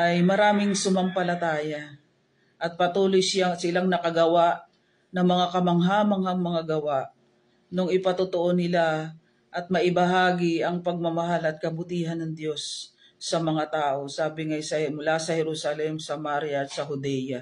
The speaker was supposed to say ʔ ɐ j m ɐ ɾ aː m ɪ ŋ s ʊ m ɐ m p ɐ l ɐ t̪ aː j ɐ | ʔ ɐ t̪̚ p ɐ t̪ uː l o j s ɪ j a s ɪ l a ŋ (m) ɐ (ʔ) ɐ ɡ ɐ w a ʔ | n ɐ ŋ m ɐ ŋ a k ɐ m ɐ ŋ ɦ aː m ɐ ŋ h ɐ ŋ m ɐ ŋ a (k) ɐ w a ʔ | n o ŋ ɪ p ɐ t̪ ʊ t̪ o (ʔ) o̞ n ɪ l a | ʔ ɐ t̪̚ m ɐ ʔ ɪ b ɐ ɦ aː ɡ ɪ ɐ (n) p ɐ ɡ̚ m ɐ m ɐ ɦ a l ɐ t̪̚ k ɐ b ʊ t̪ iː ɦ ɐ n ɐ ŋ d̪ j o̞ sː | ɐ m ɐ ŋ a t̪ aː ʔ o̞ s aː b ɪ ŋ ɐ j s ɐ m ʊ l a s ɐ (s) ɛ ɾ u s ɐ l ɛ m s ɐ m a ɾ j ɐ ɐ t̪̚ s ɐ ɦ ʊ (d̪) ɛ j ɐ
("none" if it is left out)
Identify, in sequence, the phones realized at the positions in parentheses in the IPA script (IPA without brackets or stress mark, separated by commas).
n, k, ɡ, ʔ, ŋ, h, d̪